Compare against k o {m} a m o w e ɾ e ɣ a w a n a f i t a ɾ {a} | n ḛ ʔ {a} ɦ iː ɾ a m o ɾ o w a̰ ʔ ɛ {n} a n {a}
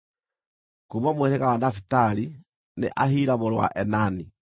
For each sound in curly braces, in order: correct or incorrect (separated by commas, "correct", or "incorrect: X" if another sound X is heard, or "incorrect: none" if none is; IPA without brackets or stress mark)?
correct, incorrect: i, correct, correct, incorrect: i